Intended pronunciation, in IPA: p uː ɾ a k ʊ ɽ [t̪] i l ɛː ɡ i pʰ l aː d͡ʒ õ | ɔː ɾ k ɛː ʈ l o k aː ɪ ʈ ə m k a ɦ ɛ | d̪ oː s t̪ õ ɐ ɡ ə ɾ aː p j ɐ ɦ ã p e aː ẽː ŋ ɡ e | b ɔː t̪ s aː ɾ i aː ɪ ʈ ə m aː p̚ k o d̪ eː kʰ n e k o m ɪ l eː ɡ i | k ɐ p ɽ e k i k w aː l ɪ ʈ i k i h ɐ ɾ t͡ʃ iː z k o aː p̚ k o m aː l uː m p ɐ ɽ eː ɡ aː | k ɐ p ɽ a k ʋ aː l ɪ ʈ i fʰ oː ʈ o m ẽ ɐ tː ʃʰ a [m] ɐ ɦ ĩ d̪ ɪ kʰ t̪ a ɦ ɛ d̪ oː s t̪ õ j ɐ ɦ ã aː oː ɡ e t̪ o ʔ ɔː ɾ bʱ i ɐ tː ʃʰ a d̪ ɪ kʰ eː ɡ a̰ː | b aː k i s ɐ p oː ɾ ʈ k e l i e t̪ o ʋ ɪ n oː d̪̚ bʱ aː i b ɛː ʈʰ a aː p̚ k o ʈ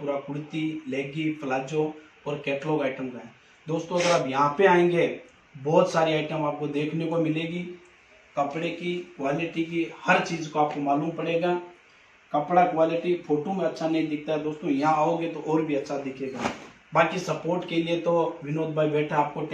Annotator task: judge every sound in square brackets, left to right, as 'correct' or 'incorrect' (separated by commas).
correct, incorrect